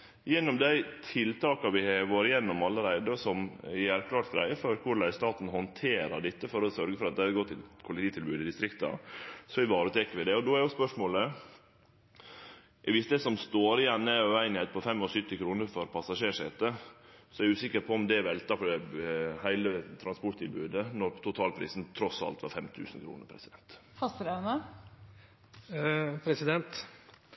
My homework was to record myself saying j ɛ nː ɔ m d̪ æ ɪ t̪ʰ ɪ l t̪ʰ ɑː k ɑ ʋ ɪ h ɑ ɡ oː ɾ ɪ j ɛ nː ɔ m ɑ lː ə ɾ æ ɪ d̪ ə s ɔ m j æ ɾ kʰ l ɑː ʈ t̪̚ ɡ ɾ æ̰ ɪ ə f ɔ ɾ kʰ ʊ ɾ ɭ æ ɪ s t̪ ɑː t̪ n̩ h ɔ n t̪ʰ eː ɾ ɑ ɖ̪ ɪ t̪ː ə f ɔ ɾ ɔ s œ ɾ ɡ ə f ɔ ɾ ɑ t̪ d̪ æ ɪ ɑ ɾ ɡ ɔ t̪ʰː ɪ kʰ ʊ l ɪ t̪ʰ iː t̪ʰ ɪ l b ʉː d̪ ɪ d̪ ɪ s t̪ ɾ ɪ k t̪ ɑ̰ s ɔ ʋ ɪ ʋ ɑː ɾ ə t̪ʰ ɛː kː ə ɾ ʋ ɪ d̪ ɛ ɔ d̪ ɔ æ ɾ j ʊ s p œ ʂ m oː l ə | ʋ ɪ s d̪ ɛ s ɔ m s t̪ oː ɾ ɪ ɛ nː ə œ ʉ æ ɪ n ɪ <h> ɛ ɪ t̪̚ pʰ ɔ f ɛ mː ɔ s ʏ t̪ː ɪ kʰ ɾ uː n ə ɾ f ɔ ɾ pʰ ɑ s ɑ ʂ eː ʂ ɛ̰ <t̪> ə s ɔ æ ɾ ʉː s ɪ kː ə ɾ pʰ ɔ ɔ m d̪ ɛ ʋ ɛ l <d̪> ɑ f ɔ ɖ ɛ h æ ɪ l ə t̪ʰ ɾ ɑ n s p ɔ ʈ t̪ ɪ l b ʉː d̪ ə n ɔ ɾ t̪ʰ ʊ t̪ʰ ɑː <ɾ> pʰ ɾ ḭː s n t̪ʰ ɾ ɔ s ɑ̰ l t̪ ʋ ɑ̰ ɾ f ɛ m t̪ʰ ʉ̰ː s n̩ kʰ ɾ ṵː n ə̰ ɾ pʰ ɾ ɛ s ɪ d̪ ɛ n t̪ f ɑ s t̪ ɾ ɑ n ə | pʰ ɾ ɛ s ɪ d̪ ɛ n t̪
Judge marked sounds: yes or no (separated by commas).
yes, yes, no, no